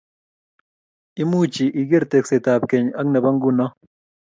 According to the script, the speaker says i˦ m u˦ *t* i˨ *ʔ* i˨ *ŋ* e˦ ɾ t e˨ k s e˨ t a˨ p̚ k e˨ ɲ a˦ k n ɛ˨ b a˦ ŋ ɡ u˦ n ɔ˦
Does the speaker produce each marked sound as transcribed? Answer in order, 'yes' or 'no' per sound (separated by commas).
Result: no, yes, no